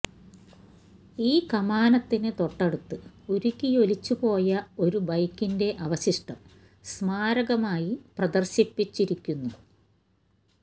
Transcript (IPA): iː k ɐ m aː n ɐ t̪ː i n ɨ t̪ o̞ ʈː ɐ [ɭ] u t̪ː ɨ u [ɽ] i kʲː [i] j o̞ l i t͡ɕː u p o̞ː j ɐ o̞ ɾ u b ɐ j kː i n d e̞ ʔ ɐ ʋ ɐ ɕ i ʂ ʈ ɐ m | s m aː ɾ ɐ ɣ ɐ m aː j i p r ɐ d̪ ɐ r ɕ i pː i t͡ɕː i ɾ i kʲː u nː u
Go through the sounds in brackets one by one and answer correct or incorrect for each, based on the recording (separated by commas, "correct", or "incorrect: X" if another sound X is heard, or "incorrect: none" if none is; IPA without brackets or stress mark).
incorrect: ɽ, incorrect: ɾ, correct